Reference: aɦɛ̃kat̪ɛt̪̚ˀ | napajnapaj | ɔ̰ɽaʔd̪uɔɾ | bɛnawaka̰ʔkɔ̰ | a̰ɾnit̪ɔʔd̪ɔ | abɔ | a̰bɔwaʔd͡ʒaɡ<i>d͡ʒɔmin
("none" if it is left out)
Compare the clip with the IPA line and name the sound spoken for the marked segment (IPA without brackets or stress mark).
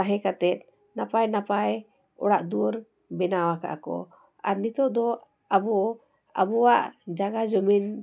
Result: a